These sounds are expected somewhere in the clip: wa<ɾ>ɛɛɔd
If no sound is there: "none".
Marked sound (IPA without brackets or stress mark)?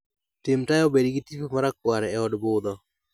ɾ